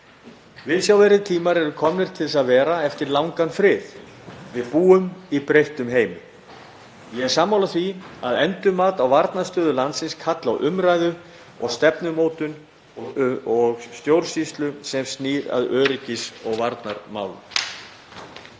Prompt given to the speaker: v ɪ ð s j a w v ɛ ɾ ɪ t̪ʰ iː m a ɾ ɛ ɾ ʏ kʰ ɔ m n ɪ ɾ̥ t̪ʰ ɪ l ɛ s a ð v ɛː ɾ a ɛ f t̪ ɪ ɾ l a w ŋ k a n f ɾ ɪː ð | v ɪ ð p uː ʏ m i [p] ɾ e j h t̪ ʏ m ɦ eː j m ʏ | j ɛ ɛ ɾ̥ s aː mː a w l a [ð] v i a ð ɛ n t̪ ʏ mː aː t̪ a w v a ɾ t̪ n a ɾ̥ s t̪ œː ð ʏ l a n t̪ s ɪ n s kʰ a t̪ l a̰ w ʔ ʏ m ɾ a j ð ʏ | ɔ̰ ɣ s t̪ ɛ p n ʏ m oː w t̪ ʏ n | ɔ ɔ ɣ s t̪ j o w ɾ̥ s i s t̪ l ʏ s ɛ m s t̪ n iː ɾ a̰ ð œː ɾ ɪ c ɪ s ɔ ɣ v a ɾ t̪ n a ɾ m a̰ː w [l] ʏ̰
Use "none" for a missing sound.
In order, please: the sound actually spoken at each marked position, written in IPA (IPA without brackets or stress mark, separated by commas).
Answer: p, θ, l